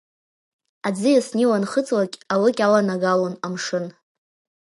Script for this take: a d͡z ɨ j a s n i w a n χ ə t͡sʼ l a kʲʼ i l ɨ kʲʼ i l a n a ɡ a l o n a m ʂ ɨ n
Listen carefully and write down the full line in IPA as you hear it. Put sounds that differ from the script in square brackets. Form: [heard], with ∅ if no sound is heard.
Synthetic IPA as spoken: a d͡z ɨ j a s n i w a n χ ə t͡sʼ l a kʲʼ [a] l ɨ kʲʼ [a] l a n a ɡ a l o n a m ʂ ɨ n

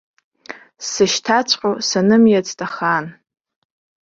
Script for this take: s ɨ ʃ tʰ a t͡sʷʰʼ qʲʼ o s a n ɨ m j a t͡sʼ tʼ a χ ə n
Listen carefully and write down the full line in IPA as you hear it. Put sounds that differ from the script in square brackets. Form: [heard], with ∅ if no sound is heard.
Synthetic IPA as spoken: s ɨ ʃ tʰ a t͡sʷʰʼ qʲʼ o s a n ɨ m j a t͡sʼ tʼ a χ [a] n

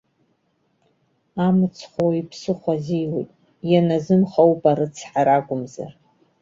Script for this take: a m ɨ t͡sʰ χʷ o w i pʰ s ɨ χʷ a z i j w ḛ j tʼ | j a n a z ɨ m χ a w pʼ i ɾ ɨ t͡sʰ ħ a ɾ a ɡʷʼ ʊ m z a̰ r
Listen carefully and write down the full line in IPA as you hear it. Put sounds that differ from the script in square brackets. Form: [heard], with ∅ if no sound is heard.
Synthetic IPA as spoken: a m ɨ t͡sʰ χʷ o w i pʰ s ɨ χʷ a z i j w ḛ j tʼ | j a n a z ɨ m χ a w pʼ [a] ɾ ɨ t͡sʰ ħ a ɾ a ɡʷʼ ʊ m z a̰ r

